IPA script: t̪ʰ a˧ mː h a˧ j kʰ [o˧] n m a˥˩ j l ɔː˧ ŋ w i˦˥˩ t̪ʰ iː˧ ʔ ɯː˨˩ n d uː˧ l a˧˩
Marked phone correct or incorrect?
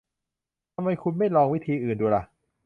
incorrect